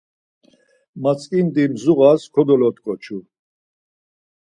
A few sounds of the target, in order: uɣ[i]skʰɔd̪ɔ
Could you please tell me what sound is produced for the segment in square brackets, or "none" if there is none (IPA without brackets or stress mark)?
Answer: a